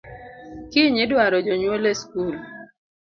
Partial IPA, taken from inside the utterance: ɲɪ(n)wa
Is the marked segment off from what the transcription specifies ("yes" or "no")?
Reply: yes